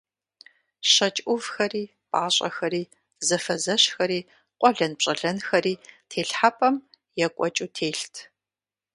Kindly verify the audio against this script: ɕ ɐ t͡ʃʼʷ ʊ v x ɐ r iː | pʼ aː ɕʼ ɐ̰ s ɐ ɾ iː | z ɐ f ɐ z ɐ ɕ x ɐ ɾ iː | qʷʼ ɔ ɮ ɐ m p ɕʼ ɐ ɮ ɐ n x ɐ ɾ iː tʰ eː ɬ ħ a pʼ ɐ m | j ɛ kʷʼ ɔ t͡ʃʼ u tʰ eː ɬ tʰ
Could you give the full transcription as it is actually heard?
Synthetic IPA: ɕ ɐ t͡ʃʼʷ ʊ v x ɐ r iː | pʼ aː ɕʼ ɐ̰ x ɐ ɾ iː | z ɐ f ɐ z ɐ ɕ x ɐ ɾ iː | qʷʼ ɔ ɮ ɐ n p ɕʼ ɐ ɮ ɐ n x ɐ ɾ iː tʰ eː ɬ ħ a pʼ ɐ m | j ɛ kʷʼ ɔ t͡ʃʼ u tʰ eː ɬ tʰ